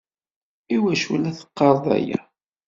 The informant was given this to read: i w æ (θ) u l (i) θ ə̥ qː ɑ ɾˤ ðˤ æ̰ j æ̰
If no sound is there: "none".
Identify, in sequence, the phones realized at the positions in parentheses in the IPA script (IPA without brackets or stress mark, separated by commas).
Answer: ʃ, æ